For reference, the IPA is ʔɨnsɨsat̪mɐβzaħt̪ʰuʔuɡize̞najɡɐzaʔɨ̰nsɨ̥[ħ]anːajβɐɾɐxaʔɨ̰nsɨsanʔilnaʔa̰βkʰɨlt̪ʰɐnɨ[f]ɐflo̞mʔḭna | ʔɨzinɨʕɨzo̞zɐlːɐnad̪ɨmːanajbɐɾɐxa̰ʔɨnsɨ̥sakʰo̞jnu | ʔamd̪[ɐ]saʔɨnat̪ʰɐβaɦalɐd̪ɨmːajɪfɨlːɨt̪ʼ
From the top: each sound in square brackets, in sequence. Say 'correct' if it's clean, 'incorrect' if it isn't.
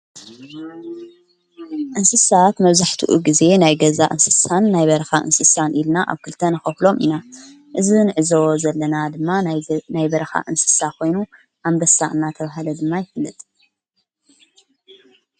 incorrect, incorrect, correct

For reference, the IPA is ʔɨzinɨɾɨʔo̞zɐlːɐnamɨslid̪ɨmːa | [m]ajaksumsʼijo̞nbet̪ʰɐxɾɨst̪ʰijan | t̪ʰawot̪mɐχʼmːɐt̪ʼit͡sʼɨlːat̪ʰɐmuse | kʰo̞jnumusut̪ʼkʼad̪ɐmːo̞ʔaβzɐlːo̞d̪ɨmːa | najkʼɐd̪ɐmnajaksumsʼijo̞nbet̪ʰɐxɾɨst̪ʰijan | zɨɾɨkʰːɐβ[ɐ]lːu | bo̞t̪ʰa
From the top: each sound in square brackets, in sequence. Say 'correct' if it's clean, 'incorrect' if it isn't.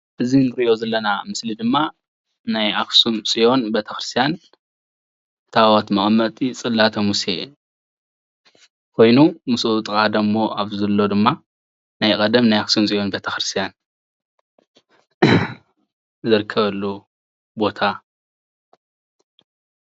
incorrect, correct

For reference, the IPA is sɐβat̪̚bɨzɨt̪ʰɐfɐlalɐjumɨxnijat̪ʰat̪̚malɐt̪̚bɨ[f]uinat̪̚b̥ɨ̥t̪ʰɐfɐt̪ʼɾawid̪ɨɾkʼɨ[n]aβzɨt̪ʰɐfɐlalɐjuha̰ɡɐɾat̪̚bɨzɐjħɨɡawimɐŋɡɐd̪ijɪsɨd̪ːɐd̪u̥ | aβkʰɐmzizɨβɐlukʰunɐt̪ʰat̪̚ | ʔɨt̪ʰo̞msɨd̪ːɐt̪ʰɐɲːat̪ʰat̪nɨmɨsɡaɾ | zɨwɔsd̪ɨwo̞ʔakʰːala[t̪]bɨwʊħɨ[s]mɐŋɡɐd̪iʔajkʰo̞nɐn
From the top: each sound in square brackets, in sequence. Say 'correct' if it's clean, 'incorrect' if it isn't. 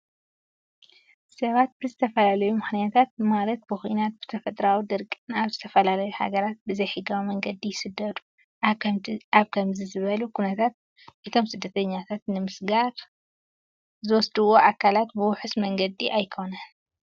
incorrect, correct, correct, correct

